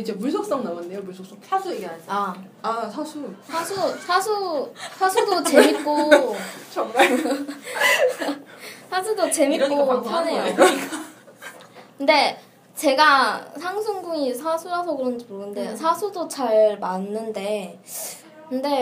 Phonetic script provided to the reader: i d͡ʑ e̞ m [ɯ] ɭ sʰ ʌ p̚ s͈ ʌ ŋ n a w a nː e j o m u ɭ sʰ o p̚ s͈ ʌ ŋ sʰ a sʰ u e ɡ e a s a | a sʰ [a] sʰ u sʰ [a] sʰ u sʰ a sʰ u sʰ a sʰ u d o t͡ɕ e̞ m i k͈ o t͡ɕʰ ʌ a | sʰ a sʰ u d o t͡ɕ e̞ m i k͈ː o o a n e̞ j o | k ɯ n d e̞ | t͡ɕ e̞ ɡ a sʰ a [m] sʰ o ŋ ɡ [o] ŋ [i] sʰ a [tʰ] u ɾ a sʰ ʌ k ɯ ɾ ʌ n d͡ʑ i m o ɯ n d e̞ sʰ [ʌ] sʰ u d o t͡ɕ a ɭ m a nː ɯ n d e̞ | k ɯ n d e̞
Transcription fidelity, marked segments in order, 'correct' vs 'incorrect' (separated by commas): incorrect, correct, correct, incorrect, incorrect, correct, incorrect, incorrect